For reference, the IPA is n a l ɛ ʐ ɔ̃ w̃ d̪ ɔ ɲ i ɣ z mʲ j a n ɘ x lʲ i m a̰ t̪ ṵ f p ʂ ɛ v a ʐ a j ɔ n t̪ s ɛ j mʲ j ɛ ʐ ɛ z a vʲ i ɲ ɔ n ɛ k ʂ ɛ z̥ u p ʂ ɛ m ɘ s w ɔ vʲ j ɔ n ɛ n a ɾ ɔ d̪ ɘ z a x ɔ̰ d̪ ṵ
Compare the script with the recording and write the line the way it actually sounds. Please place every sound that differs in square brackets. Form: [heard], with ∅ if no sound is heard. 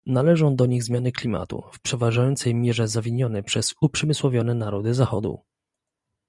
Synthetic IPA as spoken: n a l ɛ ʐ ɔ̃ w̃ d̪ ɔ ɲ i ɣ z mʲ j a n ɘ [k] lʲ i m a̰ t̪ ṵ f p ʂ ɛ v a ʐ a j ɔ n t̪ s ɛ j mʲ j ɛ ʐ ɛ z a vʲ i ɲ ɔ n ɛ [p] ʂ ɛ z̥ u p ʂ ɛ m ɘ s w ɔ vʲ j ɔ n ɛ n a ɾ ɔ d̪ ɘ z a x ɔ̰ d̪ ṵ

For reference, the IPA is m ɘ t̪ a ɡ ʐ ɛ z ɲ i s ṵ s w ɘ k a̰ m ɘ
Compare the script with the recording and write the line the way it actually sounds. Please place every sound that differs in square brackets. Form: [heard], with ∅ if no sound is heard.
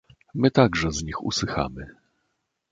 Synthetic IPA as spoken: m ɘ t̪ a ɡ ʐ ɛ z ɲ i [x] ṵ s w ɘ [x] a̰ m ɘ

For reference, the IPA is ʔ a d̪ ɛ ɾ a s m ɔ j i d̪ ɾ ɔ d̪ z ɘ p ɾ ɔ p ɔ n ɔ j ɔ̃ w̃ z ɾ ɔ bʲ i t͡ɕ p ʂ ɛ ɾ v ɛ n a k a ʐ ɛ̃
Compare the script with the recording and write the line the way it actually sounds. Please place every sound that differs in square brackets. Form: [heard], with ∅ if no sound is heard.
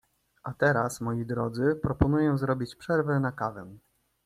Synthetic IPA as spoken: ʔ a [t̪] ɛ ɾ a s m ɔ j i d̪ ɾ ɔ d̪ z ɘ p ɾ ɔ p ɔ n [u] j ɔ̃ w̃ z ɾ ɔ bʲ i t͡ɕ p ʂ ɛ ɾ v ɛ n a k a [v] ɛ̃

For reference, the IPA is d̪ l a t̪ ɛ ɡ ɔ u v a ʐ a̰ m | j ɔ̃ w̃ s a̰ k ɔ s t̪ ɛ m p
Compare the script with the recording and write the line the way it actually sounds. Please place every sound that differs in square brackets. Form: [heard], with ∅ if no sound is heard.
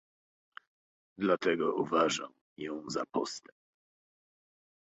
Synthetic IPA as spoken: d̪ l a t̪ ɛ ɡ ɔ u v a ʐ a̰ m | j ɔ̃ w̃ [z] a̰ [p] ɔ s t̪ ɛ m p

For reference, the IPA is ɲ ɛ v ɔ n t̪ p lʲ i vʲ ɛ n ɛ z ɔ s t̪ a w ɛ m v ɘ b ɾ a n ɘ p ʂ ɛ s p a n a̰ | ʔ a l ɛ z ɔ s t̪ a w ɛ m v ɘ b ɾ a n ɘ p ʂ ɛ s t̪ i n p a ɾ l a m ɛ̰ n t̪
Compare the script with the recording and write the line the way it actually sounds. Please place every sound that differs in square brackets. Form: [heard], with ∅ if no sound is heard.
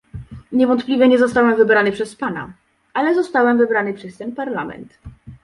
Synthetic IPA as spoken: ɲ ɛ v ɔ n t̪ p lʲ i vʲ ɛ [ɲ] ɛ z ɔ s t̪ a w ɛ m v ɘ b ɾ a n ɘ p ʂ ɛ s p a n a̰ | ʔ a l ɛ z ɔ s t̪ a w ɛ m v ɘ b ɾ a n ɘ p ʂ ɛ s t̪ [ɛ] n p a ɾ l a m ɛ̰ n t̪

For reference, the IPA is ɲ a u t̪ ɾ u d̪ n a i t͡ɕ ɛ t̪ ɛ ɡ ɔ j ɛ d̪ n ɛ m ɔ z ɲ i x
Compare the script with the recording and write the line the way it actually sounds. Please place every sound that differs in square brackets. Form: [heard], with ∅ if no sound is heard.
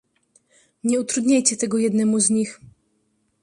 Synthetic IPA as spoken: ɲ [ɛ] u t̪ ɾ u d̪ [ɲ] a [j] t͡ɕ ɛ t̪ ɛ ɡ ɔ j ɛ d̪ n ɛ m [u] z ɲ i x

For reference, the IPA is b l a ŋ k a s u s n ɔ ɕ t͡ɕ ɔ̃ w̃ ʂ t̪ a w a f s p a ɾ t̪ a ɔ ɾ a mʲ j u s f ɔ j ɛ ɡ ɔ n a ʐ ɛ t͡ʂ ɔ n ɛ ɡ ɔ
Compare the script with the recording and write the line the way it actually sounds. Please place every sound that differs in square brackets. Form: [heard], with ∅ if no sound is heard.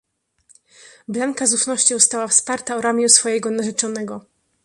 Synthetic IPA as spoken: b l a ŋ k a [z] u [f] n ɔ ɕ t͡ɕ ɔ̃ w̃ [s] t̪ a w a f s p a ɾ t̪ a ɔ ɾ a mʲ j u s f ɔ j ɛ ɡ ɔ n a ʐ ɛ t͡ʂ ɔ n ɛ ɡ ɔ

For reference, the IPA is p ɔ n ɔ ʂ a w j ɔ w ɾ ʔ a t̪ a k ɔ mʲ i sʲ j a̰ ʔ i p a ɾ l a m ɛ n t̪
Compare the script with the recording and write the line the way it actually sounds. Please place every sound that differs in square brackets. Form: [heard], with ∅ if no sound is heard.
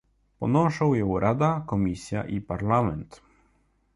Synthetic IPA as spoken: p ɔ n ɔ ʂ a w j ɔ w ɾ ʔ a [d̪] a k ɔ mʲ i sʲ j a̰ ʔ i p a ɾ l a m ɛ n t̪

